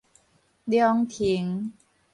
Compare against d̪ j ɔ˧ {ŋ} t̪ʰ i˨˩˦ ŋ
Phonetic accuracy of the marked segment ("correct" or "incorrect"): correct